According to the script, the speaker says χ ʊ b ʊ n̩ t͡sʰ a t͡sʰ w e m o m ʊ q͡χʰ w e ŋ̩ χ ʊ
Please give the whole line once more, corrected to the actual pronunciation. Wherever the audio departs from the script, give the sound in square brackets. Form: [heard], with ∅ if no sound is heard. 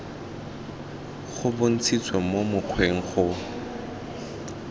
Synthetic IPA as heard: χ ʊ b ʊ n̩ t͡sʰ [i] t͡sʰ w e m o m ʊ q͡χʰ w e ŋ̩ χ ʊ